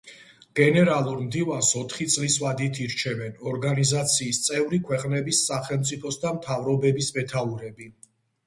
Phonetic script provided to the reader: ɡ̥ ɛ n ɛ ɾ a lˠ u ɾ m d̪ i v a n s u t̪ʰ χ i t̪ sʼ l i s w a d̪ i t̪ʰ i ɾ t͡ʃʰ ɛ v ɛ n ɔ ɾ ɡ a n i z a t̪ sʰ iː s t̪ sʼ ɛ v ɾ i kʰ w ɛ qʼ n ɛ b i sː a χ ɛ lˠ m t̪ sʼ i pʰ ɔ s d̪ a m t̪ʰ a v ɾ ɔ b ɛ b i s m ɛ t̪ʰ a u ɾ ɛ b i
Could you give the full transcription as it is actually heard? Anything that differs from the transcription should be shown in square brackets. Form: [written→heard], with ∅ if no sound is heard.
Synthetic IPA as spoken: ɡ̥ ɛ n ɛ ɾ a lˠ u ɾ m d̪ i v a n s [u→ɔ] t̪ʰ χ i t̪ sʼ l i s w a d̪ i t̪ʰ i ɾ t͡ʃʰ ɛ v ɛ n ɔ ɾ ɡ a n i z a t̪ sʰ iː s t̪ sʼ ɛ v ɾ i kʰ w ɛ qʼ n ɛ b i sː a χ ɛ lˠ m t̪ sʼ i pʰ ɔ s d̪ a m t̪ʰ a v ɾ ɔ b ɛ b i s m ɛ t̪ʰ a u ɾ ɛ b i